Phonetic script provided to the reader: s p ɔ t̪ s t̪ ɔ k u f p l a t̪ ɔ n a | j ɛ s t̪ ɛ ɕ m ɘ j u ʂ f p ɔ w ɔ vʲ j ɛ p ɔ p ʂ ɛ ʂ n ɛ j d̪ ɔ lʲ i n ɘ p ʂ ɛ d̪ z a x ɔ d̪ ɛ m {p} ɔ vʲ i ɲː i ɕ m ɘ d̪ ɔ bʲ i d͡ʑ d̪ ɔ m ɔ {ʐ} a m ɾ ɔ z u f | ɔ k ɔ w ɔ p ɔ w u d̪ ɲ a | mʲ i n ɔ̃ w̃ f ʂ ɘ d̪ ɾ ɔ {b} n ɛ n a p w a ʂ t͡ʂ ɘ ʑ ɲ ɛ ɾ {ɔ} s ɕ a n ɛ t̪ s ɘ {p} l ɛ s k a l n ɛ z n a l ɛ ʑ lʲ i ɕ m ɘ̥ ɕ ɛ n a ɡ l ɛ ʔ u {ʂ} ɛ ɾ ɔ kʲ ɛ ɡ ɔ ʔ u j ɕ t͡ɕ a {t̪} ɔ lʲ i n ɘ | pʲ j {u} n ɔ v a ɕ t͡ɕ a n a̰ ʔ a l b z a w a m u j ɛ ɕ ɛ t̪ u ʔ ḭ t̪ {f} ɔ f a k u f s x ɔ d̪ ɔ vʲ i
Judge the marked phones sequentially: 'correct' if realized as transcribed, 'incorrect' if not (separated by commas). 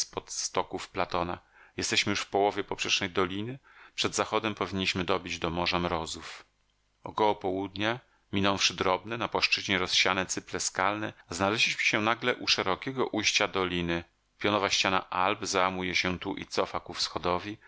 correct, correct, correct, correct, correct, correct, incorrect, incorrect, incorrect